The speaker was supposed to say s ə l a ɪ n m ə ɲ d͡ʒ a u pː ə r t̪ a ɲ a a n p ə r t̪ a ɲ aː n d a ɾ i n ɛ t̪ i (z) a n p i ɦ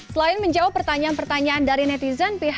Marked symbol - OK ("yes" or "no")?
yes